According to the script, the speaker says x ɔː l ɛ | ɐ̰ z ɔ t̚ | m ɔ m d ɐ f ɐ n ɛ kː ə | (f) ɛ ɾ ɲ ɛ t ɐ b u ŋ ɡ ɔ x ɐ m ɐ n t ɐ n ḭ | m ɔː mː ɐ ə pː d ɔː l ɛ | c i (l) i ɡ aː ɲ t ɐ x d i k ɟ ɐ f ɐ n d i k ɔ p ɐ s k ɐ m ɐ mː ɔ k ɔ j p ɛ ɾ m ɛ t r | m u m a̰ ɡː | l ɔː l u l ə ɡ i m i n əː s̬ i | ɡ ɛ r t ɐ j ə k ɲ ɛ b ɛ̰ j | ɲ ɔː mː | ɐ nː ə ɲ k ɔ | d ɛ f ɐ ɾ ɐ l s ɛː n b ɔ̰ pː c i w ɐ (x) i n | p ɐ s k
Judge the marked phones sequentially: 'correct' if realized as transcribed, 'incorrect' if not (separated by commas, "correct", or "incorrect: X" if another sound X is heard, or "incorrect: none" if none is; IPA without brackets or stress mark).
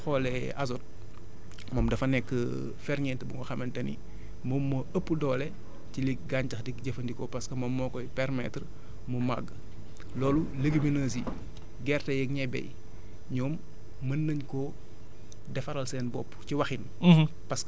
correct, correct, correct